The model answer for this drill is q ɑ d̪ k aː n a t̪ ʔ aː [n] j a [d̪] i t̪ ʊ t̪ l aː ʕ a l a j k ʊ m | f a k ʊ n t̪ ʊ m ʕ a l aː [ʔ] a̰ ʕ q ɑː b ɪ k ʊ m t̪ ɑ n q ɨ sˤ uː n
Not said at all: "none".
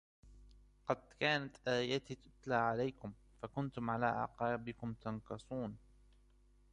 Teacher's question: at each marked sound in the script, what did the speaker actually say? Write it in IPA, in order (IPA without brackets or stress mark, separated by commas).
none, t̪, ʔ